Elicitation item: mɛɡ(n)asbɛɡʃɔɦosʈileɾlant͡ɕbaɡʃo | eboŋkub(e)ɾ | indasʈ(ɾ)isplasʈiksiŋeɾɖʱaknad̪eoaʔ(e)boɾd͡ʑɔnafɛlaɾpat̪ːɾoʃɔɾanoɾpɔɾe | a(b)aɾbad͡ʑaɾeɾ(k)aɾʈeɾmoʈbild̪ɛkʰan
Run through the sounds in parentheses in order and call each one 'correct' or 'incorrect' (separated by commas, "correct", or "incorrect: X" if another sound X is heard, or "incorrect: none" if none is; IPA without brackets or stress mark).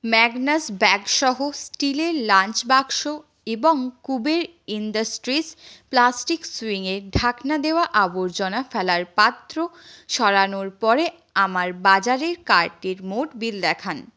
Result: correct, correct, correct, incorrect: a, incorrect: m, correct